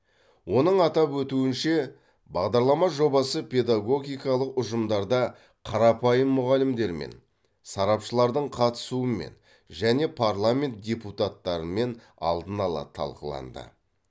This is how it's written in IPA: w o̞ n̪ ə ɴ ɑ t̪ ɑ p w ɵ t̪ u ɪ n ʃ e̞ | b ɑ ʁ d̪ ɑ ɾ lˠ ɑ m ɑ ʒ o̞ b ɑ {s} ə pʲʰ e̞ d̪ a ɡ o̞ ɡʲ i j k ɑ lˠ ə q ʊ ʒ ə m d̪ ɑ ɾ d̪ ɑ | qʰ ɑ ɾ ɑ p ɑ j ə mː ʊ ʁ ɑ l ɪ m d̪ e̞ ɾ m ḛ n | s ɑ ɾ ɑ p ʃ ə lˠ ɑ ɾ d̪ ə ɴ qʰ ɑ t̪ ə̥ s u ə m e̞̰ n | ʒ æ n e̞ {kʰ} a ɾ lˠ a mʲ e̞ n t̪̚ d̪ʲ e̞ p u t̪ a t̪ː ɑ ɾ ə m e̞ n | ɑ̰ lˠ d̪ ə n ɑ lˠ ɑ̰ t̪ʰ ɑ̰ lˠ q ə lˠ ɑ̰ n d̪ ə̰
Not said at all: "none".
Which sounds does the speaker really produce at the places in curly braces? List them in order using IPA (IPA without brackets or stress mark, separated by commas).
s, pʰ